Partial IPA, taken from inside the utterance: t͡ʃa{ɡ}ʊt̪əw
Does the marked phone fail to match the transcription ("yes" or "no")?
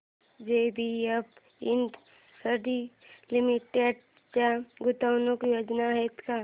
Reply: no